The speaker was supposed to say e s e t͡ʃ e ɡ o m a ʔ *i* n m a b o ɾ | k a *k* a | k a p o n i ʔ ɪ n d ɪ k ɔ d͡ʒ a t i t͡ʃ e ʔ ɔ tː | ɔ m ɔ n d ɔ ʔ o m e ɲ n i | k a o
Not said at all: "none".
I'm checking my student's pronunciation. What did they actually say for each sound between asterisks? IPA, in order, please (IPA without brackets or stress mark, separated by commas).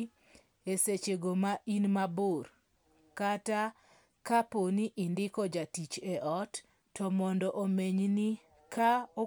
i, t